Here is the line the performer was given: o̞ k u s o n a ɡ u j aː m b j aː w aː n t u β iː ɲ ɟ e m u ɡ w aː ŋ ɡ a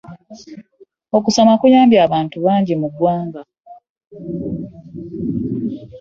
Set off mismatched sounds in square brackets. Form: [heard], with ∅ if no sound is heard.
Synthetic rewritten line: o̞ k u s o [m] a [k] u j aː m b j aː [β] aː n t u β [aː] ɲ ɟ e m u ɡ w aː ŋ ɡ a